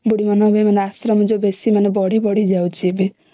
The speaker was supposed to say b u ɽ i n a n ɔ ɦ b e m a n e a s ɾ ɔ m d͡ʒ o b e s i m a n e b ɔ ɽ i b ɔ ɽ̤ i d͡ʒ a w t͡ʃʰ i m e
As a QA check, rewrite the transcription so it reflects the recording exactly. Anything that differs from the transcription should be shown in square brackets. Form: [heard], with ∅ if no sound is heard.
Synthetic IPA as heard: b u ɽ i [m] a n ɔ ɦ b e m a n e a s ɾ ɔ m d͡ʒ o b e s i m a n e b ɔ ɽ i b ɔ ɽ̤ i d͡ʒ a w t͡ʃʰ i [b] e